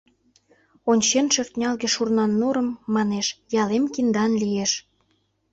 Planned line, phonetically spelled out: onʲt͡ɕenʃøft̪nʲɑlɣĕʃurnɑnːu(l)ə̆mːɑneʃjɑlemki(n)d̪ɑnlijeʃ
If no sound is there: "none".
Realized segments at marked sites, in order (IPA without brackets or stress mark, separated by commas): ɾ, n